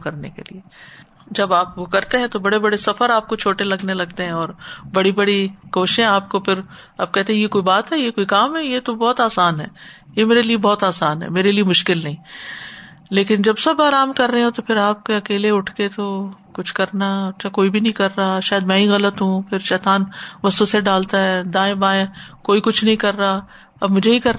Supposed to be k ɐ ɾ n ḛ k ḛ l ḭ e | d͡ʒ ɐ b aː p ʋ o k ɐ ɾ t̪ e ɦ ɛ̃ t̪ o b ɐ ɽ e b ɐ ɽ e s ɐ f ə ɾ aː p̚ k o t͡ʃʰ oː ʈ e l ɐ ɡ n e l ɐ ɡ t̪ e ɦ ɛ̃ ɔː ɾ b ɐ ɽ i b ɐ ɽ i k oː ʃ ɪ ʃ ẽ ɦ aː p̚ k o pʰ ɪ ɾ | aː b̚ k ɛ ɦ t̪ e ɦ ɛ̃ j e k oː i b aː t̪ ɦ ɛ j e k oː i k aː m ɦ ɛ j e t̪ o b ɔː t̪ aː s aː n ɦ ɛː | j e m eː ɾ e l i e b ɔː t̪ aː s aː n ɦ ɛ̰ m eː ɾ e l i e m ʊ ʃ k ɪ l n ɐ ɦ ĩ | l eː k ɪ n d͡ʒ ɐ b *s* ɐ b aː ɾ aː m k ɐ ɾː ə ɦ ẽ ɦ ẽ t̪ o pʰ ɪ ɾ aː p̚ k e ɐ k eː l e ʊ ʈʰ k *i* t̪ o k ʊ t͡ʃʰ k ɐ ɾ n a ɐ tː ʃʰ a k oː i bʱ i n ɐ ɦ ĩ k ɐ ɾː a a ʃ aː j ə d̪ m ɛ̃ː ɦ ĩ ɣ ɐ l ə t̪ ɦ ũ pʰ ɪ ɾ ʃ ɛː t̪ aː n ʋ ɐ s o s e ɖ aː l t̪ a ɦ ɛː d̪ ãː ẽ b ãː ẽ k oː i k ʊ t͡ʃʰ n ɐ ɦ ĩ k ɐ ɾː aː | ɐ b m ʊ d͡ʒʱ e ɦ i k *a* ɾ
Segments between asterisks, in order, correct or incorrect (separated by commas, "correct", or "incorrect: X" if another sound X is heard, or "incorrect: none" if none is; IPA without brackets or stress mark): correct, incorrect: e, incorrect: ɐ